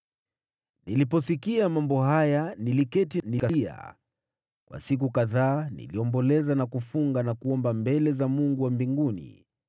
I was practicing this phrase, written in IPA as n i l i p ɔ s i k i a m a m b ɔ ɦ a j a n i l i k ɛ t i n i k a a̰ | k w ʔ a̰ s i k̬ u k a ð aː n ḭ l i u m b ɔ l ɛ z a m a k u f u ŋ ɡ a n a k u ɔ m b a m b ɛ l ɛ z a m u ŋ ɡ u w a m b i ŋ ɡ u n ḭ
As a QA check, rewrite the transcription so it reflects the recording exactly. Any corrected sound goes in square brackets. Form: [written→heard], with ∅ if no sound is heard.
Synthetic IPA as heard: n i l i p ɔ s i k i a m a m b ɔ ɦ a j a n i l i k ɛ t i n i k a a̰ | k w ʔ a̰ s i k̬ u k a ð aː n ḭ l i [u→ɔ] m b ɔ l ɛ z a [m→n] a k u f u ŋ ɡ a n a k u ɔ m b a m b ɛ l ɛ z a m u ŋ ɡ u w a m b i ŋ ɡ u n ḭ